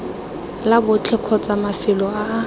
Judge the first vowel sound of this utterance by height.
low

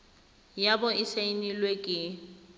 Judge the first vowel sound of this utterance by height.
low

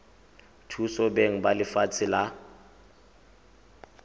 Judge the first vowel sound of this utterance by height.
high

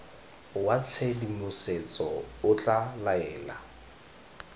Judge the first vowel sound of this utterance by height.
low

